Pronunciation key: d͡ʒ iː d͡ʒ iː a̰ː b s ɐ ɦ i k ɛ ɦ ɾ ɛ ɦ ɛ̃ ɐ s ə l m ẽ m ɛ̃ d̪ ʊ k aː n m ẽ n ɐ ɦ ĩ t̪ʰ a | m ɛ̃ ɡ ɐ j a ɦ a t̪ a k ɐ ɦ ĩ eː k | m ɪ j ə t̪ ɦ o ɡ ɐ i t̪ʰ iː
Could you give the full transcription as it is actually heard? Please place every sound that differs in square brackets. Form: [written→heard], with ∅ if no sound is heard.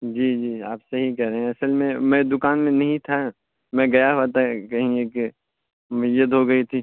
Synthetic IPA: d͡ʒ iː d͡ʒ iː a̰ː [b→p] s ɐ ɦ i k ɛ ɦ ɾ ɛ ɦ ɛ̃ ɐ s ə l m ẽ m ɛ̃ d̪ ʊ k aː n m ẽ n ɐ ɦ ĩ t̪ʰ a | m ɛ̃ ɡ ɐ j a ɦ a t̪ a k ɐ ɦ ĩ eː k | m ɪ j ə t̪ ɦ o ɡ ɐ i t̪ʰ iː